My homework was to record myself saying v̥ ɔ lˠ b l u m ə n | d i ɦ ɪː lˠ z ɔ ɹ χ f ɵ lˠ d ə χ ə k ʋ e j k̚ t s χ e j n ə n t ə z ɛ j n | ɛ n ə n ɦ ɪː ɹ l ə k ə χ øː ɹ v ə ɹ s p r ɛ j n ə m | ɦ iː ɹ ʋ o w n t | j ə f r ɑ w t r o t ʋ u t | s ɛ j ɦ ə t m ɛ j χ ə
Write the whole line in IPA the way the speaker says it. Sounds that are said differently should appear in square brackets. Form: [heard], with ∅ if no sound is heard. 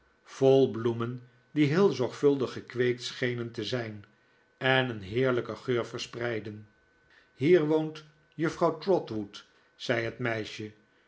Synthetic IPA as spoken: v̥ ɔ lˠ b l u m ə n | d i ɦ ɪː lˠ z ɔ ɹ χ f ɵ lˠ d ə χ ə k ʋ e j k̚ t s χ e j n ə n t ə z ɛ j n | ɛ n ə n ɦ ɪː ɹ l ə k ə χ øː ɹ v ə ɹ s p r ɛ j [d] ə [n] | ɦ iː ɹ ʋ o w n t | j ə f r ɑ w t r [ɔ] t ʋ u t | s ɛ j ɦ ə t m ɛ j [ʃ] ə